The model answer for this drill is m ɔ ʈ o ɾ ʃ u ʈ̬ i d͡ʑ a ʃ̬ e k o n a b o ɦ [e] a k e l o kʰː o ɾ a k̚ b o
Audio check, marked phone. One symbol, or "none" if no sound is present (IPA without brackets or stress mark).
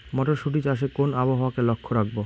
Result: a